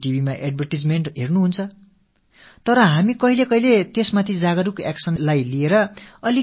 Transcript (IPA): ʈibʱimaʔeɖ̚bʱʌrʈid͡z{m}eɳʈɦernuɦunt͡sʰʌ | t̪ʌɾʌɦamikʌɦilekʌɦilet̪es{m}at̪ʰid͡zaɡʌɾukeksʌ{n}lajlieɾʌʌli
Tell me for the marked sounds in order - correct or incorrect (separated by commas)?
correct, correct, correct